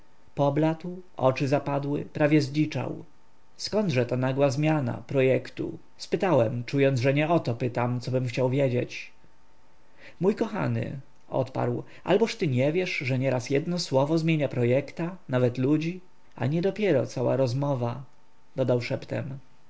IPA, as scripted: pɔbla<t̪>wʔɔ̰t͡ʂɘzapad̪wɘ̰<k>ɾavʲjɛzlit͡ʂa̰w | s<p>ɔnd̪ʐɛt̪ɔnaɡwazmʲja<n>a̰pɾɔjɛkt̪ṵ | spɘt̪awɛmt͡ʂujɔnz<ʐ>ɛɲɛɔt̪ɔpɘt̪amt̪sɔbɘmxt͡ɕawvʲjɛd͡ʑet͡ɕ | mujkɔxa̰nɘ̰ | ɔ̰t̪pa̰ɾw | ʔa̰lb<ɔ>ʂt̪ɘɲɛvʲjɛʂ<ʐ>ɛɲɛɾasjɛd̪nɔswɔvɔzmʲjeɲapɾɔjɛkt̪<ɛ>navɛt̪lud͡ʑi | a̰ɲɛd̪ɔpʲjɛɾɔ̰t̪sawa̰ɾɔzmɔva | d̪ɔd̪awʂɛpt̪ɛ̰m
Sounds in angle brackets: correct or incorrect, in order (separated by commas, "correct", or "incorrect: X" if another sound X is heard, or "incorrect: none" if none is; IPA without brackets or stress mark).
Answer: correct, incorrect: p, incorrect: k, correct, correct, correct, correct, incorrect: a